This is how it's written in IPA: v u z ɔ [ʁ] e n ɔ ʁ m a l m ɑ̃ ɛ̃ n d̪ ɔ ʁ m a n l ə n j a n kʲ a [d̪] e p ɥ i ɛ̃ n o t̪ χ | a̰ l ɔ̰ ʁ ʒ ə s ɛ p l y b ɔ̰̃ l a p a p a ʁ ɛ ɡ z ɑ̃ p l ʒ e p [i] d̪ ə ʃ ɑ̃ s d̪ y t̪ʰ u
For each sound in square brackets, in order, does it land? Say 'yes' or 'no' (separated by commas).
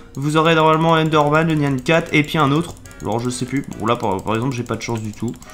yes, no, no